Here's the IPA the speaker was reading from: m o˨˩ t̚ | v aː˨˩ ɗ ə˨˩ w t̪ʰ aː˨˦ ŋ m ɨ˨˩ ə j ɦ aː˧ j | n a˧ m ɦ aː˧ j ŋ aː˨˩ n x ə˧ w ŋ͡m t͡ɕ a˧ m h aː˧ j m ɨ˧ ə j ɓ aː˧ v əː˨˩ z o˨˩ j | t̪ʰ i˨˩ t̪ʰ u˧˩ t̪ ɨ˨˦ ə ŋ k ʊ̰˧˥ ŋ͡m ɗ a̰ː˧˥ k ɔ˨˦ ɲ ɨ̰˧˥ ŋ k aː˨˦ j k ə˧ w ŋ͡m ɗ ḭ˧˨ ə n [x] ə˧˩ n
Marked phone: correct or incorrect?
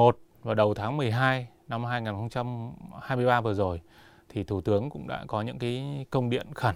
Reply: correct